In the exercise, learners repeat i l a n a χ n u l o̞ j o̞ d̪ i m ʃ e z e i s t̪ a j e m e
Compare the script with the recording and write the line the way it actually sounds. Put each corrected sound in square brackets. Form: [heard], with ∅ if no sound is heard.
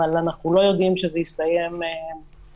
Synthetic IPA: [a] l a n a χ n u l o̞ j o̞ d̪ i m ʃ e z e i s t̪ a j e m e